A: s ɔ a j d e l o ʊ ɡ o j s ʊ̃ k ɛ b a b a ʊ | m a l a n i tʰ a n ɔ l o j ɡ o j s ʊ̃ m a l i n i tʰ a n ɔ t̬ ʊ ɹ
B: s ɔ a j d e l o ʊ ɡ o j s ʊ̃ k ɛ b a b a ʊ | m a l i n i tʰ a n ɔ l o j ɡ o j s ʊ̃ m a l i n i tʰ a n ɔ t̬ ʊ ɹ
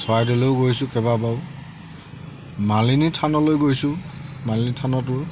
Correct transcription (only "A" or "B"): B